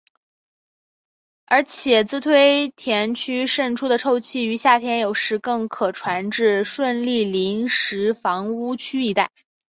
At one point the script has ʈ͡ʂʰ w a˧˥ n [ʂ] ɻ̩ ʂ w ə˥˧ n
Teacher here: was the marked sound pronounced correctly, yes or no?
no